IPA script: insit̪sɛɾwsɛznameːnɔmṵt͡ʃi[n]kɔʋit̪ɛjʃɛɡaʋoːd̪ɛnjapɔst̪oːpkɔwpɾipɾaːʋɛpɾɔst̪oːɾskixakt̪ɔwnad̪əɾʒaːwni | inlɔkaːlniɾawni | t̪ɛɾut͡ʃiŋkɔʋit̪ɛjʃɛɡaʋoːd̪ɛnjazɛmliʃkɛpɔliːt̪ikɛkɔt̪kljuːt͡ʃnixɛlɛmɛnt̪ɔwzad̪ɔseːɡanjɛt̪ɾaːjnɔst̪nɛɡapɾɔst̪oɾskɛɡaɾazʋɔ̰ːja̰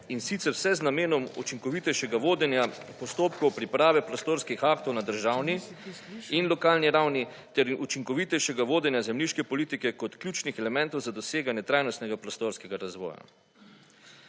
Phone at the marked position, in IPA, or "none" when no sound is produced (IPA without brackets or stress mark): ŋ